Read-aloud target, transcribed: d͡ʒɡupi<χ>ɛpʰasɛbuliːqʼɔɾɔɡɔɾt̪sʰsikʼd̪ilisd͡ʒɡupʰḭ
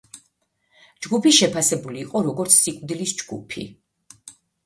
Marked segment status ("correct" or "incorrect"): incorrect